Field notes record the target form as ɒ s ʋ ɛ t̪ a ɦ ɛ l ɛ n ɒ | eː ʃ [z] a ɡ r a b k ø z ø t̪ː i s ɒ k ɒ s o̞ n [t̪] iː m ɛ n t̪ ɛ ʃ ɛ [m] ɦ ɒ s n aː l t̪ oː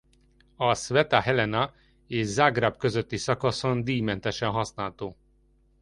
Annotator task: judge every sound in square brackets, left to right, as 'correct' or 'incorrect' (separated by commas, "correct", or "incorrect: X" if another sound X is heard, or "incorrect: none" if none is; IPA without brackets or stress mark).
correct, incorrect: d̪, incorrect: n